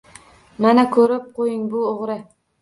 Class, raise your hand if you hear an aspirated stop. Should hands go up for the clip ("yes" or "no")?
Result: yes